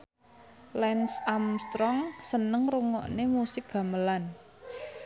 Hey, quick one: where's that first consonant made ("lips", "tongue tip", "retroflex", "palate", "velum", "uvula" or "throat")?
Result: tongue tip